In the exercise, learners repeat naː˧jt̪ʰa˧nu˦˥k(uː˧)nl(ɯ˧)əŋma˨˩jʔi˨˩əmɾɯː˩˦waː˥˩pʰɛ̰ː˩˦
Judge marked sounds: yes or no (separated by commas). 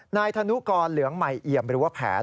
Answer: no, no